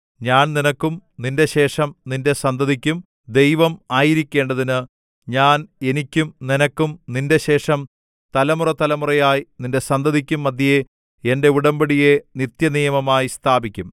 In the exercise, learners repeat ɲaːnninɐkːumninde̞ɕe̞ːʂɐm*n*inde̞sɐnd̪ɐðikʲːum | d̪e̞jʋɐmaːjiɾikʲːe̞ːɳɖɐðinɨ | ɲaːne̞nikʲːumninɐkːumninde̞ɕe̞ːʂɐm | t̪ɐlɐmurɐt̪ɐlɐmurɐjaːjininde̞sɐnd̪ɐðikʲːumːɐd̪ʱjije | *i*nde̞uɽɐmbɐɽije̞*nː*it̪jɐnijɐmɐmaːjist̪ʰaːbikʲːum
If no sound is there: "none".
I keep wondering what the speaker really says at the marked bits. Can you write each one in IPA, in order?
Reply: n, e, n

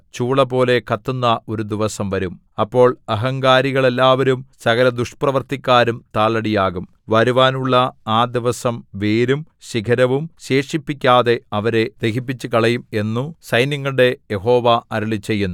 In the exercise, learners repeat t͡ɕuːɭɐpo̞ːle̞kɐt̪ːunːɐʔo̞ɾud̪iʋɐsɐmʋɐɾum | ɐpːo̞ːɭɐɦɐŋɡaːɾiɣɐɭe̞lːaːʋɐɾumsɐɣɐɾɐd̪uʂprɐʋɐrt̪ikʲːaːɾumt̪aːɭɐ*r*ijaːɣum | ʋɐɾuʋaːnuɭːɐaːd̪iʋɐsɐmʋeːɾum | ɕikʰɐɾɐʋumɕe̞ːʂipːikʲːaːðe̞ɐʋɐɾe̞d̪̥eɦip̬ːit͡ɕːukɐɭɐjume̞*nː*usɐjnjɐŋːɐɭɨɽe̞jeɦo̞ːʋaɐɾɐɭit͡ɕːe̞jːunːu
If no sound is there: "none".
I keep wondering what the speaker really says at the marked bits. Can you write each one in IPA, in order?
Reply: ɽ, nː

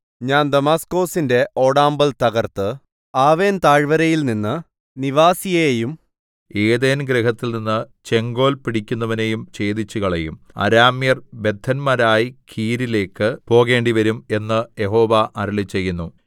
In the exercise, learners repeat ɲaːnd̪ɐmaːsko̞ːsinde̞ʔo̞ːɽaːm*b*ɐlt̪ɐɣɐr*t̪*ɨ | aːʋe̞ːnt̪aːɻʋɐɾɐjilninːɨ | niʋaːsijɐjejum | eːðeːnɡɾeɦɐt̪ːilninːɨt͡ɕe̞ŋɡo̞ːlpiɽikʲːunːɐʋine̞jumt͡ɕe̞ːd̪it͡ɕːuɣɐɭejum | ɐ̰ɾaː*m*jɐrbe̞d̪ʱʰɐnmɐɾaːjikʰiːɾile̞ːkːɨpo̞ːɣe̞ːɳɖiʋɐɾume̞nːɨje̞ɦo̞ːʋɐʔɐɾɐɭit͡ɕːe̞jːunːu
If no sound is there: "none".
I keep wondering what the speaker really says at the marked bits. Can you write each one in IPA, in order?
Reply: b, t̪, m

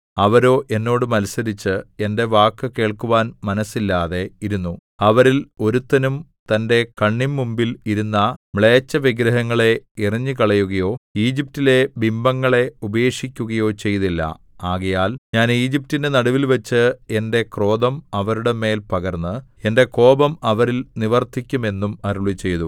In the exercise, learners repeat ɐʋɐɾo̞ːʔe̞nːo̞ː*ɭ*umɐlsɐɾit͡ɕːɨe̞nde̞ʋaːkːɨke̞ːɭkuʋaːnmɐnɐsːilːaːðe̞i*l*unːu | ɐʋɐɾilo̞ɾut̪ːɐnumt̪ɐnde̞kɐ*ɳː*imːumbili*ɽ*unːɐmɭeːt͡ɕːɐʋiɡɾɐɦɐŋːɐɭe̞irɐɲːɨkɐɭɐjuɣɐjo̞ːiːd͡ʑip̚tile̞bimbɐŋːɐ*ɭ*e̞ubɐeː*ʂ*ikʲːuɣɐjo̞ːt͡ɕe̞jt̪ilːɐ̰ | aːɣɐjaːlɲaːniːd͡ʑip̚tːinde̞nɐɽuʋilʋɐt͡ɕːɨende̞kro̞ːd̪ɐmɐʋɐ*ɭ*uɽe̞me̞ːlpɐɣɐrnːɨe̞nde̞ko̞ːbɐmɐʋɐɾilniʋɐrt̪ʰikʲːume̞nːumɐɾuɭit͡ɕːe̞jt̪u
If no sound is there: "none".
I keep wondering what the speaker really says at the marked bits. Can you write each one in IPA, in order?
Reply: ɽ, ɾ, ɳː, ɾ, ɭ, ʂ, ɾ

